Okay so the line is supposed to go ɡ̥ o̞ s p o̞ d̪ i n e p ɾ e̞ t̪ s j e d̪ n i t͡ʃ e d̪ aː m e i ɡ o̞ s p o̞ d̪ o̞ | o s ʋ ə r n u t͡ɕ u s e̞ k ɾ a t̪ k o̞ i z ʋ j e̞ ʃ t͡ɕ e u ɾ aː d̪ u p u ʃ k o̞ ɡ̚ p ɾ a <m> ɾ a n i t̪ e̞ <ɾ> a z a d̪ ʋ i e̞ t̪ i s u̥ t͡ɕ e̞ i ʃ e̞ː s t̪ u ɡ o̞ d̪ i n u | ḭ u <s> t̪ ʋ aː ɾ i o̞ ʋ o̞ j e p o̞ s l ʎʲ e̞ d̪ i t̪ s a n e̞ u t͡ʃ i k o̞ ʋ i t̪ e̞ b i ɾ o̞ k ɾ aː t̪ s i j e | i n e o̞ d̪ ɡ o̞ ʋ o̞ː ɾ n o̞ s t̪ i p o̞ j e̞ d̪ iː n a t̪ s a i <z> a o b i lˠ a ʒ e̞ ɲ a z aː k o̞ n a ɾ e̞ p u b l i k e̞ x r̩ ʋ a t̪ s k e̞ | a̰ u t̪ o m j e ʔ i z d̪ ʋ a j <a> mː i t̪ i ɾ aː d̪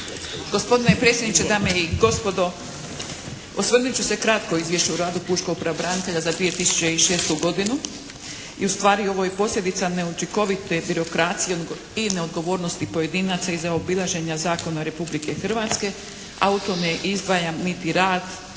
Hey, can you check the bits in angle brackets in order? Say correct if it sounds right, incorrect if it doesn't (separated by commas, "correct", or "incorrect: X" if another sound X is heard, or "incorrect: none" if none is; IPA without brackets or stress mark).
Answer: incorrect: b, incorrect: ʎ, correct, correct, correct